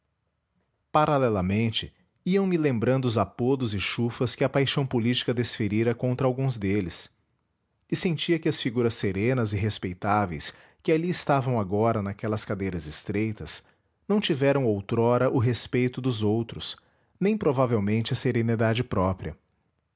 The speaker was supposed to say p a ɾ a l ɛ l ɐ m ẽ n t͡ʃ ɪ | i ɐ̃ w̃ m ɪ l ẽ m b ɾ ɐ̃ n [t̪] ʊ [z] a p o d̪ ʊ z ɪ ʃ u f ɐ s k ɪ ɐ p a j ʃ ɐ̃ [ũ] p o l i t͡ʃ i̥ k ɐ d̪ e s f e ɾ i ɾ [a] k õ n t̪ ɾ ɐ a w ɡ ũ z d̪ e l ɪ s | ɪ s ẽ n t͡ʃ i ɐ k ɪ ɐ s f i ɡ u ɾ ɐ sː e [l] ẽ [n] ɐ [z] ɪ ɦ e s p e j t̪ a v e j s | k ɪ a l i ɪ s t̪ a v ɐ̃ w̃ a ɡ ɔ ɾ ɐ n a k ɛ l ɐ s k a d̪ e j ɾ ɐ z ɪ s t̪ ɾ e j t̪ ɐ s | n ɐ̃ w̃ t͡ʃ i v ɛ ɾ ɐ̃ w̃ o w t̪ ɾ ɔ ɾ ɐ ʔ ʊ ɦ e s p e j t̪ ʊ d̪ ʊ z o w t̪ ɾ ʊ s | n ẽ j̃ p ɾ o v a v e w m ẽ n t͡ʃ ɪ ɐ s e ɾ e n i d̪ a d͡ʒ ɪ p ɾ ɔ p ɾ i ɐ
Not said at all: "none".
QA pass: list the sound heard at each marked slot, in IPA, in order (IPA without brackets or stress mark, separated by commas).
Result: d̪, z, w̃, ɐ, ɾ, n, z